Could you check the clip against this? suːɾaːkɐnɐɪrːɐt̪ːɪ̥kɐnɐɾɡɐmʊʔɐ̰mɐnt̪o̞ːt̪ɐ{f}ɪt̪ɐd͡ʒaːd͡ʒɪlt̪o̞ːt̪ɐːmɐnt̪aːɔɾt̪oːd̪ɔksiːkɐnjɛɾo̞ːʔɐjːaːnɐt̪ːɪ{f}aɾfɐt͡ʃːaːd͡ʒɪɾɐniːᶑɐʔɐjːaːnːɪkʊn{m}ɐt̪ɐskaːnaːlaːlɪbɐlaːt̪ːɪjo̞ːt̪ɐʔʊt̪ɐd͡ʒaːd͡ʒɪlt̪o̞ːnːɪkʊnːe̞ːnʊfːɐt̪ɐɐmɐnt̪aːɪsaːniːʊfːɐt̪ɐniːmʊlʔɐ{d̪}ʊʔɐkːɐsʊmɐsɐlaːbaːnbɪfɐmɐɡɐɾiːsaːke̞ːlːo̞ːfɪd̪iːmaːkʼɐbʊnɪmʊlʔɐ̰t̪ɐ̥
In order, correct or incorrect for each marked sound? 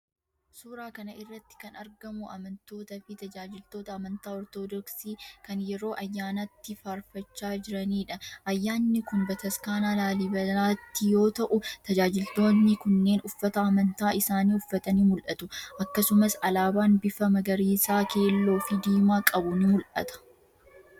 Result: correct, correct, incorrect, incorrect

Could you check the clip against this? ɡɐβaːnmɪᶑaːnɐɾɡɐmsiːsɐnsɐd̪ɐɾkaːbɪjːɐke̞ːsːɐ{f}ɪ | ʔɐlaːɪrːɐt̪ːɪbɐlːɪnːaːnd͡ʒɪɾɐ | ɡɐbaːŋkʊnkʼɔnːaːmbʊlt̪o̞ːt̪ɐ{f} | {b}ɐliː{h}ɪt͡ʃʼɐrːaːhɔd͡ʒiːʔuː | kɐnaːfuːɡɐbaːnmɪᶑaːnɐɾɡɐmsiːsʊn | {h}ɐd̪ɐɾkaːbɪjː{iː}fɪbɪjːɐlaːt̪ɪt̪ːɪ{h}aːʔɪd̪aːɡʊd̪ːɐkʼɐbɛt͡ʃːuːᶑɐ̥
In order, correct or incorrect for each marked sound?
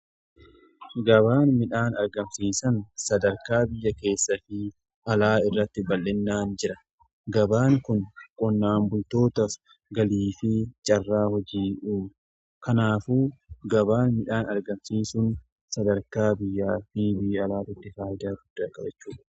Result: correct, correct, incorrect, incorrect, incorrect, incorrect, incorrect

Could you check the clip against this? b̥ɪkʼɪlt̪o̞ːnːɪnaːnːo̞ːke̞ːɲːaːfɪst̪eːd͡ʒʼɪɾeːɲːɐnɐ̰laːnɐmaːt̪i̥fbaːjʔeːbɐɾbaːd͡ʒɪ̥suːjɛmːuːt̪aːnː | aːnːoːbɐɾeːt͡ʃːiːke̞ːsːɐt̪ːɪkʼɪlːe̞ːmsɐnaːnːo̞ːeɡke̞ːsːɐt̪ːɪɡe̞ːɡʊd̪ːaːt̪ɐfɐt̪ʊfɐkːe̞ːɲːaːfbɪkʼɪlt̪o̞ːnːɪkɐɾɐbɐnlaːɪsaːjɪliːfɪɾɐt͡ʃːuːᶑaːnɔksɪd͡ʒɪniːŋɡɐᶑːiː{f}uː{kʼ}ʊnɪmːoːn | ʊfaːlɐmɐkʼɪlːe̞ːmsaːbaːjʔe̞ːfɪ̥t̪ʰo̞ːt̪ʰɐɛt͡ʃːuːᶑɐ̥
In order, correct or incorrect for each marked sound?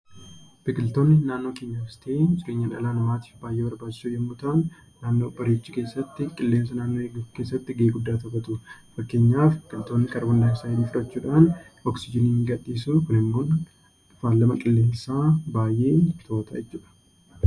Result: incorrect, incorrect

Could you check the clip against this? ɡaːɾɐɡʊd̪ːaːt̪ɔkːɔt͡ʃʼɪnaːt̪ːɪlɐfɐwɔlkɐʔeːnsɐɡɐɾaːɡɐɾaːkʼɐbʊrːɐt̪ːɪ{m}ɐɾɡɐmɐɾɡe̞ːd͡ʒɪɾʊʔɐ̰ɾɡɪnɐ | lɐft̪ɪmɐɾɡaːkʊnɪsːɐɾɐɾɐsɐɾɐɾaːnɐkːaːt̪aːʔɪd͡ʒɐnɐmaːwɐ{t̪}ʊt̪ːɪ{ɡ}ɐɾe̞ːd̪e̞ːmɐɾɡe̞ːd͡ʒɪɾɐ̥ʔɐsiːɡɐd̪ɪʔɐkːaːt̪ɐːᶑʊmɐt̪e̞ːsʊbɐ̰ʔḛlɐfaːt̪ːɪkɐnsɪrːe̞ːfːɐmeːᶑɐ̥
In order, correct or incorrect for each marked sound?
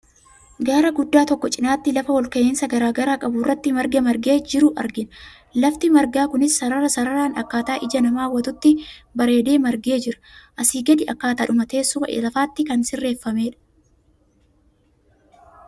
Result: correct, correct, incorrect

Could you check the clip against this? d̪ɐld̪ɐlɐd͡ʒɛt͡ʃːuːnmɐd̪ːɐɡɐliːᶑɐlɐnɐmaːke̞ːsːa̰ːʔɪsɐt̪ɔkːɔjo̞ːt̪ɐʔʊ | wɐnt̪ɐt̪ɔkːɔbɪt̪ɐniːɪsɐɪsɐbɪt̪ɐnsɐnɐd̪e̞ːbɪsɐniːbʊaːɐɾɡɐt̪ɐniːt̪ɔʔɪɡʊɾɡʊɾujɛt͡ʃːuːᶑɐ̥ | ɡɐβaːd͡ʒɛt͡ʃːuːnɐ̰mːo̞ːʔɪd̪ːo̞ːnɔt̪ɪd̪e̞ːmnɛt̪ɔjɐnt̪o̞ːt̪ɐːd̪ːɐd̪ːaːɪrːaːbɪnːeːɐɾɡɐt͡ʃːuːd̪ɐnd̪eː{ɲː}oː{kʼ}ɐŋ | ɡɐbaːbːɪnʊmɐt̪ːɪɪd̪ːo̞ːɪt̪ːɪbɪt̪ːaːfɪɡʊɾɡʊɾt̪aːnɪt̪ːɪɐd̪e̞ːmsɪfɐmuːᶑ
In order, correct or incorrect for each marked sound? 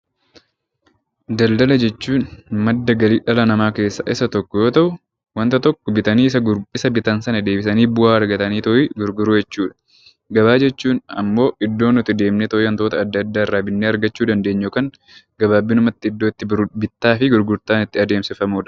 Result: correct, incorrect

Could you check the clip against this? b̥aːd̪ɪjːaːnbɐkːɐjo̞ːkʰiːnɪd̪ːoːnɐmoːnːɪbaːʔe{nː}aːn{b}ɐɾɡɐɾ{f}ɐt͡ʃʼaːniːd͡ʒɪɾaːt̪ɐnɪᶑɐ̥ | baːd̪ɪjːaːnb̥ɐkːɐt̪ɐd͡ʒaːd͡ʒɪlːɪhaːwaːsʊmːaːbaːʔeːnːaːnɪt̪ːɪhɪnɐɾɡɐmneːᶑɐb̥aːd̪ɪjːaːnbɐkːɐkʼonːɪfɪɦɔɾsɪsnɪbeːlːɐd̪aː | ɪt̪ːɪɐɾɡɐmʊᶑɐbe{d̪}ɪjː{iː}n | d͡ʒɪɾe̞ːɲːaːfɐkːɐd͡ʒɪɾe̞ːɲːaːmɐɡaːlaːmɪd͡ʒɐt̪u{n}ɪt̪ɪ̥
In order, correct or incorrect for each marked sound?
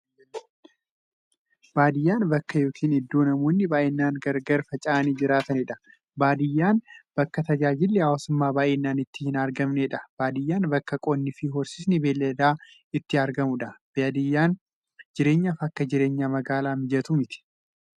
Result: correct, incorrect, correct, correct, incorrect, incorrect

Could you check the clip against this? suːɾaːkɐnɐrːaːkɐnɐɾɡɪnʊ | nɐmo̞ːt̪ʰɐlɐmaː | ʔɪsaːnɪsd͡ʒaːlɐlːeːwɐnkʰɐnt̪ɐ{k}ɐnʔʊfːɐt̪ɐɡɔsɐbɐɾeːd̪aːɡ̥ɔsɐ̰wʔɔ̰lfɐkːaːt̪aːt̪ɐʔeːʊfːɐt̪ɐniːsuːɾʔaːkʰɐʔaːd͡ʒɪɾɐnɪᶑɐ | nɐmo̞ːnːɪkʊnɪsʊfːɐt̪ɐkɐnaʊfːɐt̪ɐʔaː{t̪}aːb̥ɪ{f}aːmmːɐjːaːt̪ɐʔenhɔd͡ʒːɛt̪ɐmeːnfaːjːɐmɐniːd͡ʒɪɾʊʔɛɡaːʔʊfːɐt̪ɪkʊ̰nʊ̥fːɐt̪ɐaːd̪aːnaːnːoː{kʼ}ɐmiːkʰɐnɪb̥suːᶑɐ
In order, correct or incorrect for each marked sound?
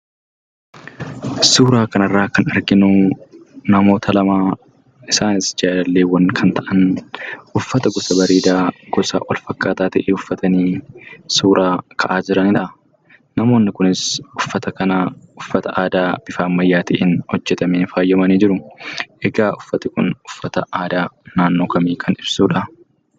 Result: incorrect, incorrect, correct, incorrect

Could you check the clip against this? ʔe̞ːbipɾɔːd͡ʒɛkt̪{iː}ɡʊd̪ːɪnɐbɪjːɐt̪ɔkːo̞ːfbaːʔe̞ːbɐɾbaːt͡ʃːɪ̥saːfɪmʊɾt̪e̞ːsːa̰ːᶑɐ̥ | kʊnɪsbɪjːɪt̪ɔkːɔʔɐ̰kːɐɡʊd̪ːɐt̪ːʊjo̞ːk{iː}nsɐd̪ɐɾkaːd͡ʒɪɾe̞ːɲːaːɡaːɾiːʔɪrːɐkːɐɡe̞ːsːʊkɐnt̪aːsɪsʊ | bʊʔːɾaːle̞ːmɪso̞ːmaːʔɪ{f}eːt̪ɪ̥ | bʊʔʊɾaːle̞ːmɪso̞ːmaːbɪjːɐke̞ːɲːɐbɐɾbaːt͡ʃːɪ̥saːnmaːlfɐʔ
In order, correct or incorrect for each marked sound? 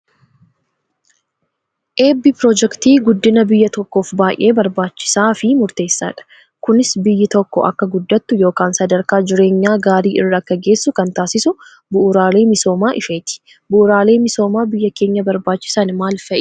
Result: correct, incorrect, correct

